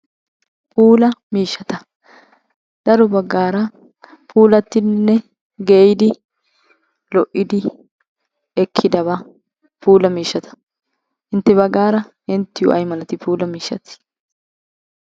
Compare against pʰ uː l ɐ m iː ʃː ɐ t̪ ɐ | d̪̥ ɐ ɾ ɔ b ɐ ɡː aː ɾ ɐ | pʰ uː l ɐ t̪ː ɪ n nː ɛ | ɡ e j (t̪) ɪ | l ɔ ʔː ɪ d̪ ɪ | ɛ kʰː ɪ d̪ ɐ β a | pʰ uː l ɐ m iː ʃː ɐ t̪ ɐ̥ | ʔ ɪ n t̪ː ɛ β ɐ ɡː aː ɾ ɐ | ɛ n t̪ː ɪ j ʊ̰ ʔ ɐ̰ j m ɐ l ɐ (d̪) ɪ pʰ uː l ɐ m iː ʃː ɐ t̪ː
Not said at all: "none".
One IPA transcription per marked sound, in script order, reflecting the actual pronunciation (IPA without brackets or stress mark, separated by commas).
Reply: d̪, t̪